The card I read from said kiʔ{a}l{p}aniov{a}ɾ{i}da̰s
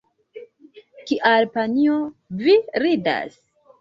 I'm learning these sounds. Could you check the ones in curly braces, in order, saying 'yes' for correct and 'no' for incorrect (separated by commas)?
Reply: yes, yes, no, yes